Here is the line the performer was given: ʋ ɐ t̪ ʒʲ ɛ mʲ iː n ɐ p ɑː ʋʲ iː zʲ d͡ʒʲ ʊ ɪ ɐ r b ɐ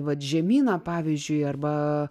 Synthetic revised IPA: ʋ ɐ t̪ ʒʲ ɛ mʲ iː n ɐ p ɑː ʋʲ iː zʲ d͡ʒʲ ʊ ɪ ɐ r b ɐ